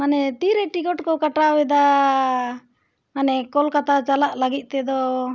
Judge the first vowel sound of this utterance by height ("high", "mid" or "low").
low